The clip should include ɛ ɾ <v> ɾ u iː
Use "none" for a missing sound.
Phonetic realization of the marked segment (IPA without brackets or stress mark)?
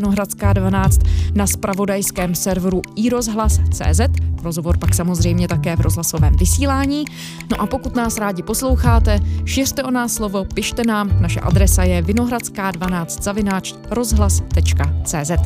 v